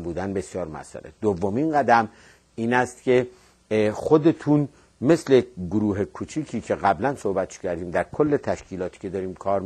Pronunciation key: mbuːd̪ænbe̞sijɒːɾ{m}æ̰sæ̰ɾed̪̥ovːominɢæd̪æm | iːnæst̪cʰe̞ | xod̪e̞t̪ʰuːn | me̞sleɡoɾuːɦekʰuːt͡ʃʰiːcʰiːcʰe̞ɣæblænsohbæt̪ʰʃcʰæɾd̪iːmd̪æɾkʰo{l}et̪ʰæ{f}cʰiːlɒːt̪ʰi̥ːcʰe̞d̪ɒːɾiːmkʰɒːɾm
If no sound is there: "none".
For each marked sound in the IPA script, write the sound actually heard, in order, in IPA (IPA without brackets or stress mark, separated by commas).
m, lː, ʃ